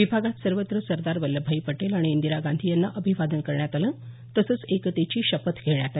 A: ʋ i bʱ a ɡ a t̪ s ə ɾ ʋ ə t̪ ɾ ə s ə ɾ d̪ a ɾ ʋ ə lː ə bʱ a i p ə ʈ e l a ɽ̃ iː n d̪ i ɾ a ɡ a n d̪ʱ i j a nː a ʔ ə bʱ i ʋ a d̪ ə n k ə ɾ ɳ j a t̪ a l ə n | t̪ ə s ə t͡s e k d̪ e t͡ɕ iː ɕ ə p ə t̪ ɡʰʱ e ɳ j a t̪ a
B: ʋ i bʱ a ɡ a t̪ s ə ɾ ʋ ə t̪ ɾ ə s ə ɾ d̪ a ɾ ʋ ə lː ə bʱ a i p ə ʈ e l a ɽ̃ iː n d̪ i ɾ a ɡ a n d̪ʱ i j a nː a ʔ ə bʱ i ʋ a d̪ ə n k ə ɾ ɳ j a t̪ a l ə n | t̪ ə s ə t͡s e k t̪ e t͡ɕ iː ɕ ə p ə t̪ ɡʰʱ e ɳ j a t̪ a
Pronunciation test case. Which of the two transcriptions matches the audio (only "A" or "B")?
B